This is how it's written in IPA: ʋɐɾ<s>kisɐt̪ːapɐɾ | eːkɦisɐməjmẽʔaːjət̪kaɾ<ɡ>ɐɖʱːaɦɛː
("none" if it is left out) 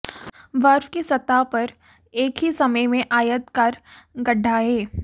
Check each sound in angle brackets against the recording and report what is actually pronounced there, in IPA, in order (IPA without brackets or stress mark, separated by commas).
f, ɡ